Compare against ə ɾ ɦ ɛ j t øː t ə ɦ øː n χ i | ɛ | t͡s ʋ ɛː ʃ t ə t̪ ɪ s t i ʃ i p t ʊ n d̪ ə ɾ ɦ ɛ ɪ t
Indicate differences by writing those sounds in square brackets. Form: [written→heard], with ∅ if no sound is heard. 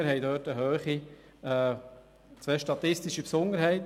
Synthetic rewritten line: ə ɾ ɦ ɛ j [t→d] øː t ə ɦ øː [n→∅] χ i | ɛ | t͡s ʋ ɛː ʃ t [ə→ɑ] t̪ ɪ s t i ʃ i p [t→s] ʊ n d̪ ə ɾ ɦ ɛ ɪ t